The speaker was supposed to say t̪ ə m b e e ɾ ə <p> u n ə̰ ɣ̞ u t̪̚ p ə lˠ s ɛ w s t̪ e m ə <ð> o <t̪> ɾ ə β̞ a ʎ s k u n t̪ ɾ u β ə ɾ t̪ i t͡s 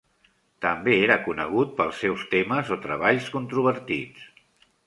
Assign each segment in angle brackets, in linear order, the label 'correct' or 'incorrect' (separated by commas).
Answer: incorrect, incorrect, correct